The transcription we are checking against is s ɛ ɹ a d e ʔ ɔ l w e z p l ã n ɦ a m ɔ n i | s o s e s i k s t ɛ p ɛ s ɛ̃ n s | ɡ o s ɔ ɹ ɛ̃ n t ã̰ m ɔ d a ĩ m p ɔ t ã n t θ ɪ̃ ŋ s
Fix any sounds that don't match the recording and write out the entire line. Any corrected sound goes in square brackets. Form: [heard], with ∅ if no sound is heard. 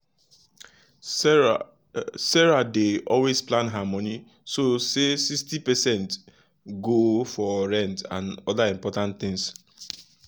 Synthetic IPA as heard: s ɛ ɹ a d e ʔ ɔ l w e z p l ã n ɦ a m ɔ n i | s o s e s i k s t [i] p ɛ s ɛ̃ n [t] | ɡ o [f] ɔ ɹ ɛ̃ n t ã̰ [n] ɔ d a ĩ m p ɔ t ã n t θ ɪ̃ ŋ s